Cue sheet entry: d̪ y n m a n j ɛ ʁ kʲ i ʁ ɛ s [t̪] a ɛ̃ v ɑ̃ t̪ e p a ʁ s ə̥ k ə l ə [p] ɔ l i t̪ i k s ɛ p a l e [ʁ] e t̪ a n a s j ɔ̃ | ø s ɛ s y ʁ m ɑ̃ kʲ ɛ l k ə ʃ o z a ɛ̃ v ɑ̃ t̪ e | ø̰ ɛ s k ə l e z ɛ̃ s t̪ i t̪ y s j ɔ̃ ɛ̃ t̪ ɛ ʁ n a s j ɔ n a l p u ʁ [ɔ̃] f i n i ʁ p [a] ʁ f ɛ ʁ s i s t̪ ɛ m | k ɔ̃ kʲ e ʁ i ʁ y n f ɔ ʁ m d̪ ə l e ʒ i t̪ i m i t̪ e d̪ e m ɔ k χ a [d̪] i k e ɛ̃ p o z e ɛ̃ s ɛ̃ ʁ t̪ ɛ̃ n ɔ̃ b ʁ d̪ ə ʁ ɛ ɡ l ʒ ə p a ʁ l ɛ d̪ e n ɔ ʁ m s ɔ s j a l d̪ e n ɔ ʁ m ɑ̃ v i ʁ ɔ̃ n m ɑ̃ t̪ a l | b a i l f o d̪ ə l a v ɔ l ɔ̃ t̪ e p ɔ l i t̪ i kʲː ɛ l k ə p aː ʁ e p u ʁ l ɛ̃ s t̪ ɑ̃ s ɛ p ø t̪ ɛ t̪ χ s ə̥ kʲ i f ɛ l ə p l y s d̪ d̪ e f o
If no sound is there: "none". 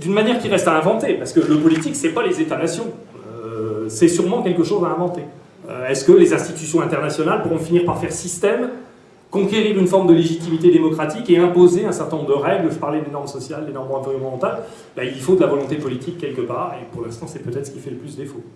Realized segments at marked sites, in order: t̪, p, z, ɔ̃, a, t̪

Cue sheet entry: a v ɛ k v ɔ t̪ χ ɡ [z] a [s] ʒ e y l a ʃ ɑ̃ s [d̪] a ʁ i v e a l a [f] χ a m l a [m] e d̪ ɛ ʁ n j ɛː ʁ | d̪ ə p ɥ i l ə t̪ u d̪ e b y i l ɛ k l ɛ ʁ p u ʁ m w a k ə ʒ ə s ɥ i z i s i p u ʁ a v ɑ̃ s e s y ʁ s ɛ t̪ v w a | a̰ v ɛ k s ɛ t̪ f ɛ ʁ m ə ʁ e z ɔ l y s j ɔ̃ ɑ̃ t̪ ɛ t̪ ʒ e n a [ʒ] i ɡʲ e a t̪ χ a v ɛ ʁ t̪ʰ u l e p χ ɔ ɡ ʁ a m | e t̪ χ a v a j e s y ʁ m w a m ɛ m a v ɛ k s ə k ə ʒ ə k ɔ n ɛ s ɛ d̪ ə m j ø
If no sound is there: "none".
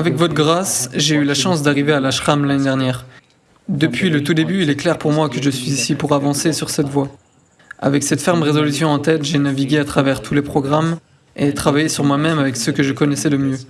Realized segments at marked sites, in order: ʁ, s, d̪, ʃ, n, v

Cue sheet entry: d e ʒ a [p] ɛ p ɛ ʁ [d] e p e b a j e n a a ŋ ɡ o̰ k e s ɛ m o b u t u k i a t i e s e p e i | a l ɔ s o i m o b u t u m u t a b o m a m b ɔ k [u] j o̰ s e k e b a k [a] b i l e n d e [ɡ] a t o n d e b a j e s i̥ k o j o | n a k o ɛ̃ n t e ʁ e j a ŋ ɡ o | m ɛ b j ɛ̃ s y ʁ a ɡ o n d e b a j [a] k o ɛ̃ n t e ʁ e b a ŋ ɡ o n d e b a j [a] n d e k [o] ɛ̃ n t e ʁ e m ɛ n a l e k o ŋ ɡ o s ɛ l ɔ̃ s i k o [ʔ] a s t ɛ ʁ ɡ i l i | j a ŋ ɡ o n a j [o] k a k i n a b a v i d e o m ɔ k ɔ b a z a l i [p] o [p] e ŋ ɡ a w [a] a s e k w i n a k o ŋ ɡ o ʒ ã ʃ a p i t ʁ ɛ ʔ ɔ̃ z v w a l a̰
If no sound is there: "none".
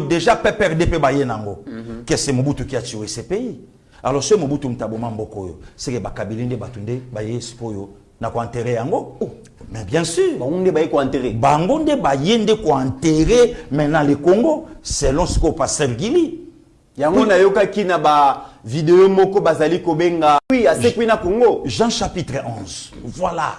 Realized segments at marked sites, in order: p, d, o, a, b, e, e, o, p, o, k, b, i

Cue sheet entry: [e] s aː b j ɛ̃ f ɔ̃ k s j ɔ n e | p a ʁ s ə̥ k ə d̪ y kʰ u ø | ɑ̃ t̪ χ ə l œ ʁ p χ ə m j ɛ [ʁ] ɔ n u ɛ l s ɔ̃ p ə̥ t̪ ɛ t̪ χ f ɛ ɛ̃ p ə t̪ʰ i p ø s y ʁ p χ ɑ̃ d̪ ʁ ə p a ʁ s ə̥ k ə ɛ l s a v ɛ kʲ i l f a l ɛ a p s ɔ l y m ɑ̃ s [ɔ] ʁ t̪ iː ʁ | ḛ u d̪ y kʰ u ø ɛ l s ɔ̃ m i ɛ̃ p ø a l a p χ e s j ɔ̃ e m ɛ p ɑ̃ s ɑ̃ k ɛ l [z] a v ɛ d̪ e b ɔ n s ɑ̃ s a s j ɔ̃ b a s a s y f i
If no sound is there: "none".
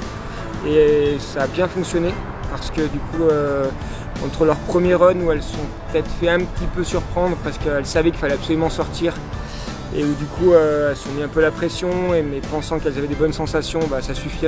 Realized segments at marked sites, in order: e, ʁ, ɔ, z

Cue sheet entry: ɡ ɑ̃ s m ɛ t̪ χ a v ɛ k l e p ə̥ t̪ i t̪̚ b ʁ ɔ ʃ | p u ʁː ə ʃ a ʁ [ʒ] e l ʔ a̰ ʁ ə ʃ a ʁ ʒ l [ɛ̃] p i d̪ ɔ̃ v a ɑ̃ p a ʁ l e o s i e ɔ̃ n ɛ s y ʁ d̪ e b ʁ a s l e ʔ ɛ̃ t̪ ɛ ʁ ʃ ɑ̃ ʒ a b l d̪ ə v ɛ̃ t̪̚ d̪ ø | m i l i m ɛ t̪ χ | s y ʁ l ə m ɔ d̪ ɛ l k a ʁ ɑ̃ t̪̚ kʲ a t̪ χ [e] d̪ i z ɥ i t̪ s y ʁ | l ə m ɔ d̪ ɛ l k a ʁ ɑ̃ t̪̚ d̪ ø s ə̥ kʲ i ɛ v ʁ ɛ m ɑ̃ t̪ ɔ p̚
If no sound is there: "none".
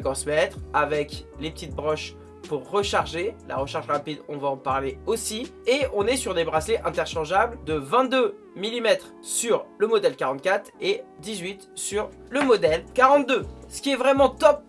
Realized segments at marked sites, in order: ʒ, ɛ̃, e

